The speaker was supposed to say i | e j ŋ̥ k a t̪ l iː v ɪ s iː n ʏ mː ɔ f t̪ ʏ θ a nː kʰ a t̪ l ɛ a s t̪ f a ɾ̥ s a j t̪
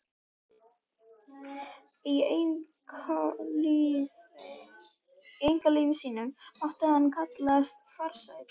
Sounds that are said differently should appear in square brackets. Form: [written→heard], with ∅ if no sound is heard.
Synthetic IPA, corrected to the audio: i | e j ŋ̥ k a [t̪→∅] l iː v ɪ s iː n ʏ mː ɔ [f→h] t̪ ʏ [θ→h] a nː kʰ a t̪ l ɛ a s t̪ f a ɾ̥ s a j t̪

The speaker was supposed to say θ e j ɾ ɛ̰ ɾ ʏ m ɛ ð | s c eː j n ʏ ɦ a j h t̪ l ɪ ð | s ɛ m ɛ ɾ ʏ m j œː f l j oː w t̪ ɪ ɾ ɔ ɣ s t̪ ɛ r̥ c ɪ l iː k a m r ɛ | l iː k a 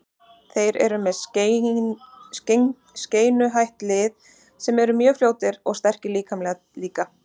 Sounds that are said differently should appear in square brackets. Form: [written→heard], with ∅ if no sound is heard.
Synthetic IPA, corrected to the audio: θ e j ɾ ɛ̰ ɾ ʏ m ɛ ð | s c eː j n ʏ ɦ a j h t̪ l ɪ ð | s ɛ m ɛ ɾ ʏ m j œː f l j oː w t̪ ɪ ɾ ɔ ɣ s t̪ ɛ r̥ c ɪ l iː k a m [r→l] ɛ | l iː k a

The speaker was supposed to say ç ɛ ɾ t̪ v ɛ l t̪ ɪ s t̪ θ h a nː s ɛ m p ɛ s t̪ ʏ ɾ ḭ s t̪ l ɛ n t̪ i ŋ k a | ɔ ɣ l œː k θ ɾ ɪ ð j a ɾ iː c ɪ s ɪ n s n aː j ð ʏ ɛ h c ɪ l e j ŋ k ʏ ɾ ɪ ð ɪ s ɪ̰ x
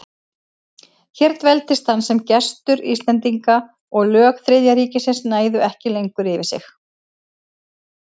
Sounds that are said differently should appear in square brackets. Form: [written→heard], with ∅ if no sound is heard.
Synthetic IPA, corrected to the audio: ç ɛ ɾ t̪ v ɛ l t̪ ɪ s t̪ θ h a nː s ɛ m [p→c] ɛ s t̪ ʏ ɾ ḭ s t̪ l ɛ n t̪ i ŋ k a | ɔ ɣ l œː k θ ɾ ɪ ð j a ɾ iː c ɪ s ɪ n s n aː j ð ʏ ɛ h c ɪ l e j ŋ k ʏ ɾ ɪ [ð→v] ɪ s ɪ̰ x

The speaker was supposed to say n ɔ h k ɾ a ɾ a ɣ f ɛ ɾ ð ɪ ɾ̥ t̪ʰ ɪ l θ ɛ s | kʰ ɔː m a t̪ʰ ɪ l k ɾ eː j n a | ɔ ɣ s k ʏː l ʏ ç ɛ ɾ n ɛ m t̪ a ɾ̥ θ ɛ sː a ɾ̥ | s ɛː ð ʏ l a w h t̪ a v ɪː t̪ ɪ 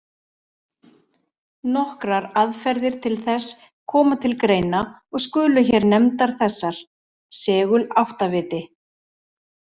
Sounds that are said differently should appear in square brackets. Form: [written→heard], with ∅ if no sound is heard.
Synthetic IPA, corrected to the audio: n ɔ h k ɾ a ɾ a [ɣ→ð] f ɛ ɾ ð ɪ ɾ̥ t̪ʰ ɪ l θ ɛ s | kʰ ɔː m a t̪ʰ ɪ l k ɾ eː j n a | ɔ ɣ s k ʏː l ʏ ç ɛ ɾ n ɛ m t̪ a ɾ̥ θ ɛ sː a ɾ̥ | s ɛː [ð→ɣ] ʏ l a w h t̪ a v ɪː t̪ ɪ

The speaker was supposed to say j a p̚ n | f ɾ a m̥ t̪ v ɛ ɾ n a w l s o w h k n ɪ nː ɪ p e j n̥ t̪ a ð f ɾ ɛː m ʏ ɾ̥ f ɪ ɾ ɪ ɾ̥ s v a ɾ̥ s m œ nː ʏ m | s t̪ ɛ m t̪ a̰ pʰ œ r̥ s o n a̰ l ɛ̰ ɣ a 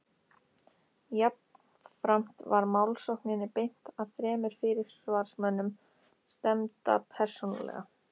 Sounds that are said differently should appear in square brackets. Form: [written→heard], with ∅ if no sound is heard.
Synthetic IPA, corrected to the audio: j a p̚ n | f ɾ a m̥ t̪ v [ɛ→a] ɾ [n→m] a w l s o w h k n ɪ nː ɪ p e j n̥ t̪ a ð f ɾ ɛː m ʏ ɾ̥ f ɪ ɾ ɪ ɾ̥ s v a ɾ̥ s m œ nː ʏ m | s t̪ ɛ m t̪ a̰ pʰ [œ→ɛ] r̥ s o n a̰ l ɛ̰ ɣ a

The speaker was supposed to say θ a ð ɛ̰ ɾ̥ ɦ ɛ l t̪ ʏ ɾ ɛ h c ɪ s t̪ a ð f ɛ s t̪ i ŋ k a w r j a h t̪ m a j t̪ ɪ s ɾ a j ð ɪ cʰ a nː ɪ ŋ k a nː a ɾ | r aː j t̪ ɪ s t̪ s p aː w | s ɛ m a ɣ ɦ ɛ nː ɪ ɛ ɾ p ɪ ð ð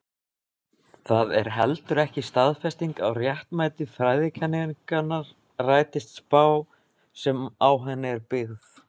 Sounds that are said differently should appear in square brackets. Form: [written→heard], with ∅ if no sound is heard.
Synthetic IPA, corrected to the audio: θ a ð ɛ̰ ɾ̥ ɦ ɛ l t̪ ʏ ɾ ɛ h c ɪ s t̪ a ð f ɛ s t̪ i ŋ k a w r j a h t̪ m a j t̪ ɪ [s→f] ɾ a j ð ɪ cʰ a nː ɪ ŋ k a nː a ɾ | r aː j t̪ ɪ s t̪ s p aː w | s ɛ m a [ɣ→w] ɦ ɛ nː ɪ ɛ ɾ p ɪ [ð→ɣ] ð

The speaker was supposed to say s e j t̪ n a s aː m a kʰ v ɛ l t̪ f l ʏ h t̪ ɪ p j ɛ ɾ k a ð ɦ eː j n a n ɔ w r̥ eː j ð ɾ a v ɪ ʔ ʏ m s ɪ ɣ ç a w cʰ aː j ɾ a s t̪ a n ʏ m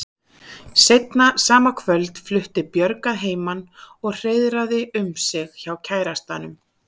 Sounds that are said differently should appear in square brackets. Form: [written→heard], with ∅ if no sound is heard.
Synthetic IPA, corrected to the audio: s e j t̪ n a s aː m a kʰ v [ɛ→œ] l t̪ f l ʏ h t̪ ɪ p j [ɛ→œ] ɾ k a ð ɦ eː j [n→m] a n ɔ [w→ɣ] r̥ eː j ð ɾ a [v→ð] ɪ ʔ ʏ m s ɪ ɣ ç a w cʰ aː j ɾ a s t̪ a n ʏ m

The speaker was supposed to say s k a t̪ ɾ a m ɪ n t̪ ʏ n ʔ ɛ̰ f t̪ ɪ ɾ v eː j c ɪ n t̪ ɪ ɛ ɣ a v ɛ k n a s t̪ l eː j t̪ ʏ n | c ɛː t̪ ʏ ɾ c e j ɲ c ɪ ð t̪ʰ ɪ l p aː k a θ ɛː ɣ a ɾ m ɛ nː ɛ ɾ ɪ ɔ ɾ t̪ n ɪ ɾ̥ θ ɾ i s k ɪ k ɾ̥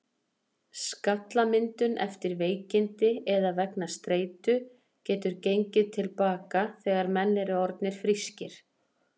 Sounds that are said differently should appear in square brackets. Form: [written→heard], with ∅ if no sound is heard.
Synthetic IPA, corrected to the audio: s k a t̪ [ɾ→l] a m ɪ n t̪ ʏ n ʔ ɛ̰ f t̪ ɪ ɾ v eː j c ɪ n t̪ ɪ ɛ [ɣ→ð] a v ɛ k n a s t̪ [l→ɾ] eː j t̪ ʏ [n→∅] | c ɛː t̪ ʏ ɾ c e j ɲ c ɪ ð t̪ʰ ɪ l p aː k a θ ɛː ɣ a ɾ m ɛ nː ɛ ɾ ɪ ɔ ɾ t̪ n ɪ ɾ̥ [θ→f] ɾ i s [k→c] ɪ [k→∅] ɾ̥

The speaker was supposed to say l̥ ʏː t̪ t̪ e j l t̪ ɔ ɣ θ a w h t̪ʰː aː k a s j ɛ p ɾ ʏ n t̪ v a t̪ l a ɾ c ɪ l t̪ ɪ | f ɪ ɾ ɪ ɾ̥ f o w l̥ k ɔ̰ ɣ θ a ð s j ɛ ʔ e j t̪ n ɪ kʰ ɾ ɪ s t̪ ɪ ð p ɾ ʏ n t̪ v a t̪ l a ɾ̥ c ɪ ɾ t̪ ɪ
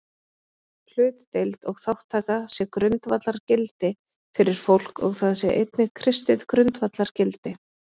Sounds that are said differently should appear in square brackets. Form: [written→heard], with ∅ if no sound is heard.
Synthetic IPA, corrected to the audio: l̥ ʏː t̪ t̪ e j l t̪ ɔ ɣ θ a w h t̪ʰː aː k a s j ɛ [p→k] ɾ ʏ n t̪ v a t̪ l a ɾ c ɪ l t̪ ɪ | f ɪ ɾ ɪ ɾ̥ f o w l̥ k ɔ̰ ɣ θ a ð s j ɛ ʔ e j t̪ n ɪ kʰ ɾ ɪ s t̪ ɪ ð [p→k] ɾ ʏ n t̪ v a t̪ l a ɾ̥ c ɪ [ɾ→l] t̪ ɪ

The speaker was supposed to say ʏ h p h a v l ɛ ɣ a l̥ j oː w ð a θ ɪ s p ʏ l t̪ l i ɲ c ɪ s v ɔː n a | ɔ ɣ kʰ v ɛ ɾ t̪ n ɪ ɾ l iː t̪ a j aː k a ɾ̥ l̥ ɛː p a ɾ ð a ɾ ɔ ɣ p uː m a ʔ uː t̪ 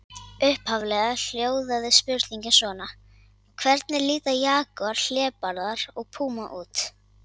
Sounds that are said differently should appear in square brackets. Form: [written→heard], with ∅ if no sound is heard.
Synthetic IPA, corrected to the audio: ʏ h p h a v l ɛ ɣ a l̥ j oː w ð a [θ→ð] ɪ s p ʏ [l→ɾ] t̪ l i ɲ c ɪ s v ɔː n a | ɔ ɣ kʰ v ɛ ɾ t̪ n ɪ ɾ l iː t̪ a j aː k a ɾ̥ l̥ ɛː p a ɾ ð a ɾ ɔ ɣ [p→pʰ] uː m a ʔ uː t̪

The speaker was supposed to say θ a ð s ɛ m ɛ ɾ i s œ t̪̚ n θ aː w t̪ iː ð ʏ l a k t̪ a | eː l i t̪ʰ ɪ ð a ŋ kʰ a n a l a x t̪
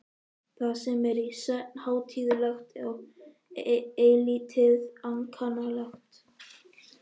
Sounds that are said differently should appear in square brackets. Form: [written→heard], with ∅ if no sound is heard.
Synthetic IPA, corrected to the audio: θ a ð s ɛ m ɛ ɾ i s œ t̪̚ n [θ→h] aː w [t̪→t̪ʰ] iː ð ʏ l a [k→x] t̪ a | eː l i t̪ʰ ɪ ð a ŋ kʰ a n a l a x t̪

